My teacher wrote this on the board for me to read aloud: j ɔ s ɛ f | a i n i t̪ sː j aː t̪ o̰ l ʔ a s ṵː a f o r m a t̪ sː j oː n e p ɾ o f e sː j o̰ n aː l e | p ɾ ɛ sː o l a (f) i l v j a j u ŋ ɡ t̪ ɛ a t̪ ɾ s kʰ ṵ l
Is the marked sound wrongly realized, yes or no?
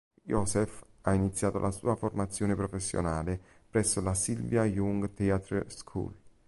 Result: yes